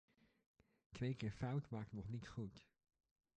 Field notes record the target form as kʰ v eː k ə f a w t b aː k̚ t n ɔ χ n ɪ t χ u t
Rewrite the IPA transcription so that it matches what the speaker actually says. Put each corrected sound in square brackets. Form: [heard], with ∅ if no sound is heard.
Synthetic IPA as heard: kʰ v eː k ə f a w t [m] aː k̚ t n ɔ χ n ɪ t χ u t